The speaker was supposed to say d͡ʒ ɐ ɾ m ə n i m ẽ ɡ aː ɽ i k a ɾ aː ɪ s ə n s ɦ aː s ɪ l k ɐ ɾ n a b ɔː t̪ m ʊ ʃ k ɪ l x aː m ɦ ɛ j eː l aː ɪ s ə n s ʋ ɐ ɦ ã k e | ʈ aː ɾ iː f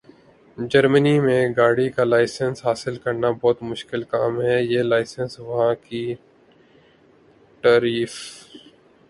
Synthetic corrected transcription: d͡ʒ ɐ ɾ m ə n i m ẽ ɡ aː ɽ i k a l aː ɪ s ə n s ɦ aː s ɪ l k ɐ ɾ n a b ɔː t̪ m ʊ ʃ k ɪ l k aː m ɦ ɛ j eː l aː ɪ s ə n s ʋ ɐ ɦ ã k i | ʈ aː ɾ iː f